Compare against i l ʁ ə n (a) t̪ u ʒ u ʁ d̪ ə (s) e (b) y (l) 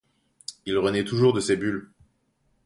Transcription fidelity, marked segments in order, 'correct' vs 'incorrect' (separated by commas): incorrect, correct, correct, correct